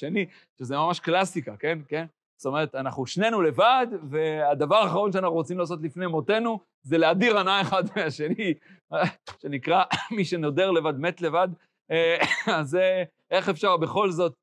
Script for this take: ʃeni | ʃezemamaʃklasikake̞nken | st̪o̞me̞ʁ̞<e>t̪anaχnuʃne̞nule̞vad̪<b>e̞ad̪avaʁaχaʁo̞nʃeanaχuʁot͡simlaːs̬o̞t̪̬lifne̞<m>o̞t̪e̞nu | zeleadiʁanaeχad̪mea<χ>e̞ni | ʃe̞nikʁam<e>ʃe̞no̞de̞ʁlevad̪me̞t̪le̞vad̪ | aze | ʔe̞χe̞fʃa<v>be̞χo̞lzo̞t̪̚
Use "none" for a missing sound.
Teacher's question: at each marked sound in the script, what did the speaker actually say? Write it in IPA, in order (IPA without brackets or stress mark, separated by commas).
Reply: e, v, m, ʃ, i, ʁ